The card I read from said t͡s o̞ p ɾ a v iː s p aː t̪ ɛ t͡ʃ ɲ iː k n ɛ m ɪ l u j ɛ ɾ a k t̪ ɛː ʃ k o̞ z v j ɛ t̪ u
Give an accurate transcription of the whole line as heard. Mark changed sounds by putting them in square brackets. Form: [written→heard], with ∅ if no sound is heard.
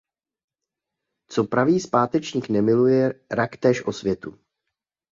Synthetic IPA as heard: t͡s o̞ p ɾ a v iː s p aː t̪ ɛ t͡ʃ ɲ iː k n ɛ m ɪ l u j ɛ ɾ a k t̪ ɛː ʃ [k→ʔ] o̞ [z→s] v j ɛ t̪ u